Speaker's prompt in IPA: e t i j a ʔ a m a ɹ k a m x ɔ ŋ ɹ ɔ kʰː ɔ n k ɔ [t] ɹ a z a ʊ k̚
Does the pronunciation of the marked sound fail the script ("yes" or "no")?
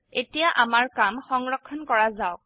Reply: yes